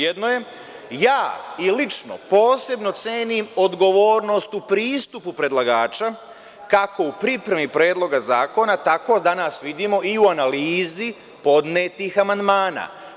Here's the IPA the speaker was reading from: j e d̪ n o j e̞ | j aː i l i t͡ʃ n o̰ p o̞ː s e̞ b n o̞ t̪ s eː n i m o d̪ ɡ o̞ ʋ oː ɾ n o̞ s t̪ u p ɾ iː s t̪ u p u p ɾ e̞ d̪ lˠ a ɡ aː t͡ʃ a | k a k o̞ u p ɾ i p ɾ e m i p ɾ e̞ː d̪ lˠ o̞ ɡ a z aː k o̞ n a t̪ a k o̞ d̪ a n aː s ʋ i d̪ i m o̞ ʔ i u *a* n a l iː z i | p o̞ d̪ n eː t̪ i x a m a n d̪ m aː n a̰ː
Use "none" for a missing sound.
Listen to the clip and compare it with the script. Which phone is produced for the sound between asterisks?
a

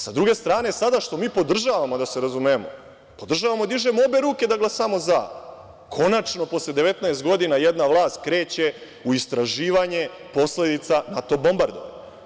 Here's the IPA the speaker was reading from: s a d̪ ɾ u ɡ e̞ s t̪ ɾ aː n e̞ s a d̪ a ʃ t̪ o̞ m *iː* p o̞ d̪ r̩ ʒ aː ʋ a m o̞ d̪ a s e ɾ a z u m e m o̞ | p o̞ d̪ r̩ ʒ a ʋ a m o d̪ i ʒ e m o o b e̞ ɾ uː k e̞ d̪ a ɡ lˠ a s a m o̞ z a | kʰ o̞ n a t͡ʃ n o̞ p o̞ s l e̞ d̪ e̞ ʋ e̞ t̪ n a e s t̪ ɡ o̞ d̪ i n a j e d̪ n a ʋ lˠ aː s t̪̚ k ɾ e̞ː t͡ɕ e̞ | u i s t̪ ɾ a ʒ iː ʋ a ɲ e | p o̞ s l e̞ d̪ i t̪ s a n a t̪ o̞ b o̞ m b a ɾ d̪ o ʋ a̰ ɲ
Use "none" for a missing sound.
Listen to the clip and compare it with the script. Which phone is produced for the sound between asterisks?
iː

